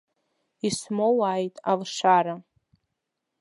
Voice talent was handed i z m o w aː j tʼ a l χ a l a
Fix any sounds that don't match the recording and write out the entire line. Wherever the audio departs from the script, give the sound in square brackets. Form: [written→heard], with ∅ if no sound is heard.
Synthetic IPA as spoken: i [z→s] m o w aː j tʼ a l [χ→ʂ] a [l→ɾ] a